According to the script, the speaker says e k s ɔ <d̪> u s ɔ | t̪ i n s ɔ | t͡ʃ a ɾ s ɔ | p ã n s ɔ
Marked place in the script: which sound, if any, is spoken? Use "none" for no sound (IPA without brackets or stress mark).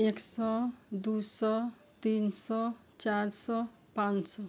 d̪